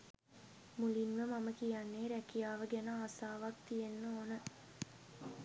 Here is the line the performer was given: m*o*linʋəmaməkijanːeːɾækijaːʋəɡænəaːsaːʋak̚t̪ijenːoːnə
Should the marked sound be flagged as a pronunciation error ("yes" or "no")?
yes